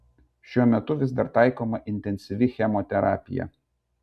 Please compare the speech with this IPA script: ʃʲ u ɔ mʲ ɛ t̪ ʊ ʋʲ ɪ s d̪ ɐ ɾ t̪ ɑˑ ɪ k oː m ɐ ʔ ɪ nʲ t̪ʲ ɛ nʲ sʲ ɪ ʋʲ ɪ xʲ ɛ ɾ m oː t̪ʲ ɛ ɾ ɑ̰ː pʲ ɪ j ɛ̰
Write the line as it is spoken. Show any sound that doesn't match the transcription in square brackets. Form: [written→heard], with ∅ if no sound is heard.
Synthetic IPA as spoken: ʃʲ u ɔ mʲ ɛ t̪ ʊ ʋʲ ɪ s d̪ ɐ ɾ t̪ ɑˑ ɪ k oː m ɐ ʔ ɪ nʲ t̪ʲ ɛ nʲ sʲ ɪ ʋʲ ɪ xʲ ɛ [ɾ→∅] m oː t̪ʲ ɛ ɾ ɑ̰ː pʲ ɪ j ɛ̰